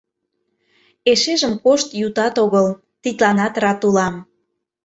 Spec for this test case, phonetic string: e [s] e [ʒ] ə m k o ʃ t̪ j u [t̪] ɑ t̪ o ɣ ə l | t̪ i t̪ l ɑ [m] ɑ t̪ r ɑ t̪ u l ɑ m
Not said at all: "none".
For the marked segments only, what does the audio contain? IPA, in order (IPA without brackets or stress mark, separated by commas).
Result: ʃ, ʒ, t̪, n